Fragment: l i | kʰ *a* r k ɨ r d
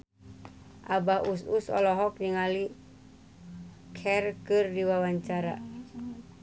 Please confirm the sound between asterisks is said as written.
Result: no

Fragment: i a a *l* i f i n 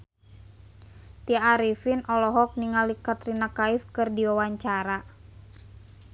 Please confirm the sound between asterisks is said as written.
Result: no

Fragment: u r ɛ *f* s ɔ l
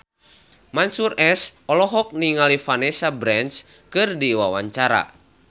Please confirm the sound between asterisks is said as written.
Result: no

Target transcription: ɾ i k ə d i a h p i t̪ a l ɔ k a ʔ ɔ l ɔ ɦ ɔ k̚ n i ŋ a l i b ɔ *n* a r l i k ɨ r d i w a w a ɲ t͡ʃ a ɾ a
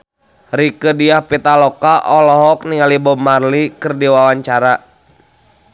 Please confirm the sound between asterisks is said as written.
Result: no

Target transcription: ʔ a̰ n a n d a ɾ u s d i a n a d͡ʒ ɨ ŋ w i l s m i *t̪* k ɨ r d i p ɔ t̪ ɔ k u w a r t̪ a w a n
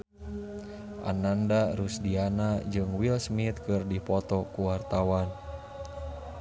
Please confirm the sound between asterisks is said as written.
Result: yes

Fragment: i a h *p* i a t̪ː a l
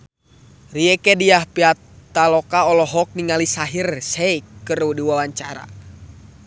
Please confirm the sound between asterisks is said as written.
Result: yes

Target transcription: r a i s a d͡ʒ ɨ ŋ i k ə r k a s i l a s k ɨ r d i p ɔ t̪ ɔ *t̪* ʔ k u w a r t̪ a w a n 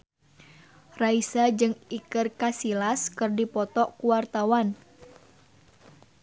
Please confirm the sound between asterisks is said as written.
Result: no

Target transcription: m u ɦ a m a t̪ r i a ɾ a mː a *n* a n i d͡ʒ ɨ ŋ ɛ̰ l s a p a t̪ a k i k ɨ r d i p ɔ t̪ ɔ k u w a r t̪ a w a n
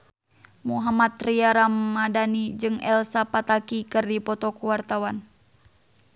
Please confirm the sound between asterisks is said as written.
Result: no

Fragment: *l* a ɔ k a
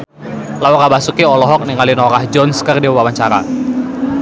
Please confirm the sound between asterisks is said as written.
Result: yes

